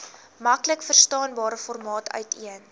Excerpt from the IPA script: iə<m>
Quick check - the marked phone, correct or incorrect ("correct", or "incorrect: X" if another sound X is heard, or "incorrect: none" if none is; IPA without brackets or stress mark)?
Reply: incorrect: n